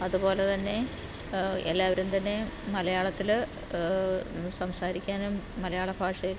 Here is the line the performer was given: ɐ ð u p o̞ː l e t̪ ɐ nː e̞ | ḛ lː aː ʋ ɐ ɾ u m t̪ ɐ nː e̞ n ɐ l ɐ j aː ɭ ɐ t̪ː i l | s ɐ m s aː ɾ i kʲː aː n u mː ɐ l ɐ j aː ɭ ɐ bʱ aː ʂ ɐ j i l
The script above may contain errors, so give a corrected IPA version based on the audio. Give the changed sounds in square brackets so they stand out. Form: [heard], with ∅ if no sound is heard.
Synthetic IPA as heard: ɐ ð u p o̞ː l e t̪ ɐ nː e̞ | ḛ lː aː ʋ ɐ ɾ u m t̪ ɐ nː e̞ [m] ɐ l ɐ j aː ɭ ɐ t̪ː i l | s ɐ m s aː ɾ i kʲː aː n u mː ɐ l ɐ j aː ɭ ɐ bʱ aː ʂ ɐ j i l